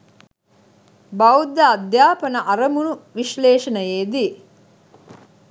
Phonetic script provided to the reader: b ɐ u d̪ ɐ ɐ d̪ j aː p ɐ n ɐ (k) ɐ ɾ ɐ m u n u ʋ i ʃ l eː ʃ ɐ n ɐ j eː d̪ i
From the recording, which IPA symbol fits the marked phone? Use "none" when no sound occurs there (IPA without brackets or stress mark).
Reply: ʔ